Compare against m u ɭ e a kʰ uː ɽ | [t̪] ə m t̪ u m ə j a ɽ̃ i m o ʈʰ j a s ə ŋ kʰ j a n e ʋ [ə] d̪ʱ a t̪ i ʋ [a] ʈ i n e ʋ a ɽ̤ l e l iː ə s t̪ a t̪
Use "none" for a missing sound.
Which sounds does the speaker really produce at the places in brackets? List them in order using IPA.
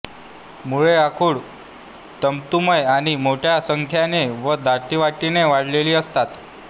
t̪, ə, a

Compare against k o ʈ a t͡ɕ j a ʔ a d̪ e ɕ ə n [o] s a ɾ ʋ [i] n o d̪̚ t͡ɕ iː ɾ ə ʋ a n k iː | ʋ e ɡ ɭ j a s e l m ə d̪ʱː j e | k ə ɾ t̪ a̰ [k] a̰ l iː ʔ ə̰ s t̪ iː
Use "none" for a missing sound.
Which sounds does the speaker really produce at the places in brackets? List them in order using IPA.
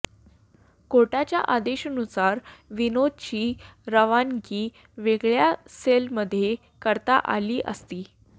u, i, ʔ

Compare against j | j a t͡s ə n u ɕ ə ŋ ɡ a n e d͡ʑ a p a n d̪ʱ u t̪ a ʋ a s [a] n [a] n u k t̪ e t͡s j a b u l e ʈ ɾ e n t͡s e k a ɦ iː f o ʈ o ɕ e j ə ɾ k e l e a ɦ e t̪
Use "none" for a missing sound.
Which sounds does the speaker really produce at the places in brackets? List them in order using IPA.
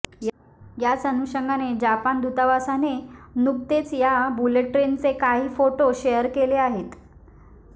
a, e

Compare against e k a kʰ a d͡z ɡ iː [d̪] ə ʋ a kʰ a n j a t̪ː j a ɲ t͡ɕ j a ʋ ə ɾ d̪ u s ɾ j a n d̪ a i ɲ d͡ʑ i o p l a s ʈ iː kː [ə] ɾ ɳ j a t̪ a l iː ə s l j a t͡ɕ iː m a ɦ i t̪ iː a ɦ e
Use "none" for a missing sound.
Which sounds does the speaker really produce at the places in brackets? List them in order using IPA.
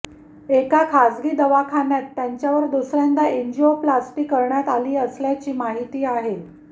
d̪, ə

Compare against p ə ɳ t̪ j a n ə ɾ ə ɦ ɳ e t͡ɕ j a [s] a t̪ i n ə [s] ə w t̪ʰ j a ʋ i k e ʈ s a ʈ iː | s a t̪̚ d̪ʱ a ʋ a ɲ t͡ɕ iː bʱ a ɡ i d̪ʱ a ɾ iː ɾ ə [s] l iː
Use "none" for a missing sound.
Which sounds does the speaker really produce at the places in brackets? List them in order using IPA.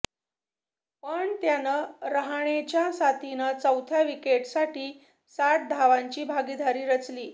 s, t͡s, t͡s

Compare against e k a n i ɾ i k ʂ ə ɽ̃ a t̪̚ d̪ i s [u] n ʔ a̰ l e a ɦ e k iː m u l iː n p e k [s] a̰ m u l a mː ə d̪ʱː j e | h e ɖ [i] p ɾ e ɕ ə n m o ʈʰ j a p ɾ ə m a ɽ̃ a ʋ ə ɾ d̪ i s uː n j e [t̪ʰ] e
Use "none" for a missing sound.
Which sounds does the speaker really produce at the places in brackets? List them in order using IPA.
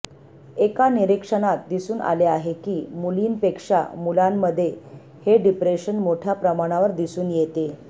uː, ʂ, i, t̪

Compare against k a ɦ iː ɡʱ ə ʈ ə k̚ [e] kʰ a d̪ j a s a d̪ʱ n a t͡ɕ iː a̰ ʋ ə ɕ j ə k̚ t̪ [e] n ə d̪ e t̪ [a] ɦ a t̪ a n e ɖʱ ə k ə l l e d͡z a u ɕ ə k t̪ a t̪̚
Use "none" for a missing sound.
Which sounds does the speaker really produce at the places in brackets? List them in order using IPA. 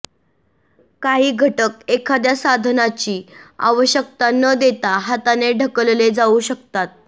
e, a, a

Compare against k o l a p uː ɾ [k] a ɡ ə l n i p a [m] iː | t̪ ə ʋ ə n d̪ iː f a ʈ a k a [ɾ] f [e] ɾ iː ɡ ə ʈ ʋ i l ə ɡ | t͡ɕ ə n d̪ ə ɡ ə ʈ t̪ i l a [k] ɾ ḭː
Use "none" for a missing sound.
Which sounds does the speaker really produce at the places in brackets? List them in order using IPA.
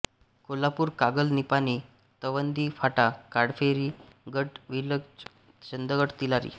k, n, ɽ, e, none

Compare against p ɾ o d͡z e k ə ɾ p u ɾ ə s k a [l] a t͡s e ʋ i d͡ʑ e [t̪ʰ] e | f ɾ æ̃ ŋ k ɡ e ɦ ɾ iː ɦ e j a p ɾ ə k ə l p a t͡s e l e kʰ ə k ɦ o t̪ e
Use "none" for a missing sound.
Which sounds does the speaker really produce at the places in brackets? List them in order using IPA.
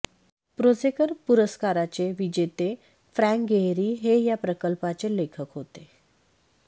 ɾ, t̪

